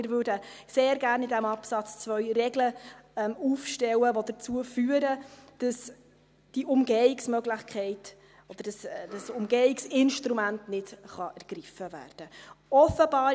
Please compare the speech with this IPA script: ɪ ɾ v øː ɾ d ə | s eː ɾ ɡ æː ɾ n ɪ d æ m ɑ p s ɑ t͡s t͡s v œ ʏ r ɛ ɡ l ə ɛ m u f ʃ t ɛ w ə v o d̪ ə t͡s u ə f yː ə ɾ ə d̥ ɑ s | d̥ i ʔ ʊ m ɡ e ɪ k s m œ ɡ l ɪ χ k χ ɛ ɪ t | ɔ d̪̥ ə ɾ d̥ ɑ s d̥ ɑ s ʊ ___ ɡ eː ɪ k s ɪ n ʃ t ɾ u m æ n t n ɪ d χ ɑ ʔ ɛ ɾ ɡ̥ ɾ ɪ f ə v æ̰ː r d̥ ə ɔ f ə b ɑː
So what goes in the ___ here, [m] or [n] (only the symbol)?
m